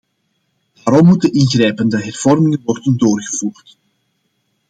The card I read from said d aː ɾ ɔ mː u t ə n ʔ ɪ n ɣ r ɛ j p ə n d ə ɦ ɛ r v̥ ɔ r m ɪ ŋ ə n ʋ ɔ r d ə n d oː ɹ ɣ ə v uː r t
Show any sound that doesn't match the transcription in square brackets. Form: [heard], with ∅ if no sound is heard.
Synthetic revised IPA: d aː ɾ ɔ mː u t ə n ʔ ɪ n ɣ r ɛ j p ə n d ə ɦ ɛ r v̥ ɔ r m ɪ ŋ ə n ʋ ɔ r d ə n d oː [r] ɣ ə v uː r t